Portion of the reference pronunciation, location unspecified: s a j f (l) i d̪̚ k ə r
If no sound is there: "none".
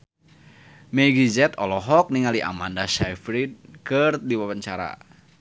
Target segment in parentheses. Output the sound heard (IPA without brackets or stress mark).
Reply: ɾ